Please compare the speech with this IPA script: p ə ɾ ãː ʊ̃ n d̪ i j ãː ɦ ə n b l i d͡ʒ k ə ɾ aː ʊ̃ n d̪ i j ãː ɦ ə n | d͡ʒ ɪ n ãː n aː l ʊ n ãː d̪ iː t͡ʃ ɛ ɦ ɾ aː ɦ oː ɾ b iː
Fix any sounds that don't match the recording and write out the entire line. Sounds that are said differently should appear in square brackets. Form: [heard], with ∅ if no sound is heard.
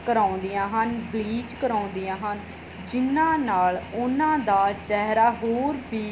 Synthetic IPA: [k] ə ɾ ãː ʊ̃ n d̪ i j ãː ɦ ə n b l [iː] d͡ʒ k ə ɾ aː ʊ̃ n d̪ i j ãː ɦ ə n | d͡ʒ ɪ n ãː n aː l ʊ n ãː d̪ [aː] t͡ʃ ɛ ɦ ɾ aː ɦ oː ɾ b iː

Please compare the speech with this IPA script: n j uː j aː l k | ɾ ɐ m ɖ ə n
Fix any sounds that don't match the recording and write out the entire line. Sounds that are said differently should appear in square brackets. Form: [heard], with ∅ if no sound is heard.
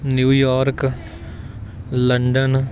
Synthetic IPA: n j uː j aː [ɾ] k | [l] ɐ [ɳ] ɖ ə n

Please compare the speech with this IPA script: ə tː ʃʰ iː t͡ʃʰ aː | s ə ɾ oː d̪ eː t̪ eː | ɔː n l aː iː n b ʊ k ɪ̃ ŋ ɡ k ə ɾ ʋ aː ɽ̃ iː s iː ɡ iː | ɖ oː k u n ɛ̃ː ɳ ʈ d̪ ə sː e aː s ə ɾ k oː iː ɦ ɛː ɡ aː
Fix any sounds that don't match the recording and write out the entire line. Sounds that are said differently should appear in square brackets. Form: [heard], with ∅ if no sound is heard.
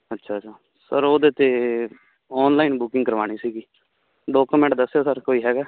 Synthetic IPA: ə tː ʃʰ [aː] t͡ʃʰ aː | s ə ɾ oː d̪ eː t̪ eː | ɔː n l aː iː n b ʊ k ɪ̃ ŋ ɡ k ə ɾ ʋ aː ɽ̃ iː s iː ɡ iː | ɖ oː k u [m] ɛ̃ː ɳ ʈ d̪ ə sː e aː s ə ɾ k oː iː ɦ ɛː ɡ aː

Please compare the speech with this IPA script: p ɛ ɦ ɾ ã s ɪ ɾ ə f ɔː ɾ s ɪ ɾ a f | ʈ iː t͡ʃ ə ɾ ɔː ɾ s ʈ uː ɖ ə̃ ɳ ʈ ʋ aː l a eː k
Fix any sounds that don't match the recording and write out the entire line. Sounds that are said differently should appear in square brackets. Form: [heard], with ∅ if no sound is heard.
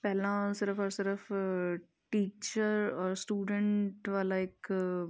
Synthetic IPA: p ɛ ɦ [l] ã s ɪ ɾ ə f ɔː ɾ s ɪ ɾ [ə] f | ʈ iː t͡ʃ ə ɾ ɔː ɾ s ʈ uː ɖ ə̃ ɳ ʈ ʋ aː l a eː k

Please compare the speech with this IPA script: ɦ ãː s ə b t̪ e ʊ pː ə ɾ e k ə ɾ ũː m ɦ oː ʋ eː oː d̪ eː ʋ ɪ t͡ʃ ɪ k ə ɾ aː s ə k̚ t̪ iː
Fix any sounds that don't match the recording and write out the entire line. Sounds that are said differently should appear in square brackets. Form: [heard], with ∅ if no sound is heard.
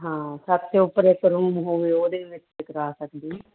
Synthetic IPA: ɦ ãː s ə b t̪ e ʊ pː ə ɾ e k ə ɾ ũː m ɦ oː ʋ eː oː d̪ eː ʋ ɪ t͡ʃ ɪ k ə ɾ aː s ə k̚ [d̪] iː

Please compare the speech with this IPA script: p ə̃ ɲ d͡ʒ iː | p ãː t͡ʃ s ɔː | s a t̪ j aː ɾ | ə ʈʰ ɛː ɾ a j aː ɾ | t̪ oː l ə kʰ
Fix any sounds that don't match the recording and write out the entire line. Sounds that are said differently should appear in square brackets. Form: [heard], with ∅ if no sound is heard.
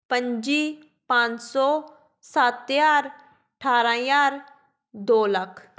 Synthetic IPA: p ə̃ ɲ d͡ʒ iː | p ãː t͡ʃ s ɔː | s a t̪ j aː ɾ | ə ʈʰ [aː] ɾ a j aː ɾ | [d̪] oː l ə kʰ

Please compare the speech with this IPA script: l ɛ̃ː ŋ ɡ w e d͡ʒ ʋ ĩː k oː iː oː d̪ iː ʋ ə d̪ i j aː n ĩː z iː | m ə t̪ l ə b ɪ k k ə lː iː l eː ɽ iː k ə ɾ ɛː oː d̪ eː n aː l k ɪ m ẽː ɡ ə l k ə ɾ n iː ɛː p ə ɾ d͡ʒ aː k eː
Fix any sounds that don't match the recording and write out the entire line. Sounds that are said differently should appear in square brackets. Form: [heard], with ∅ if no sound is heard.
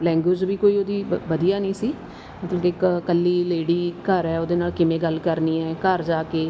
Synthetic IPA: l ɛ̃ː ŋ ɡ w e d͡ʒ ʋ [iː] k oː iː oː d̪ iː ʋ ə d̪ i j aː n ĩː [s] iː | m ə t̪ l ə b ɪ k k ə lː iː l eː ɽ iː k ə ɾ ɛː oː d̪ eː n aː l k ɪ m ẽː ɡ ə l k ə ɾ n iː ɛː [k] ə ɾ d͡ʒ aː k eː

